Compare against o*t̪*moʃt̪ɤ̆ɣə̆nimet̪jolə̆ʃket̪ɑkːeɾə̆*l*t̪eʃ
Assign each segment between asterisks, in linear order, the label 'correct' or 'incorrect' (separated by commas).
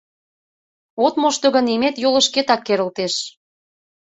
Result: correct, correct